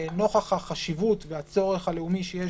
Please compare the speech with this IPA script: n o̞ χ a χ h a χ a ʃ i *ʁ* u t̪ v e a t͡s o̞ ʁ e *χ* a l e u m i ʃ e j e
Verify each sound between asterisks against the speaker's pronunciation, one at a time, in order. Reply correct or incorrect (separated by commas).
incorrect, correct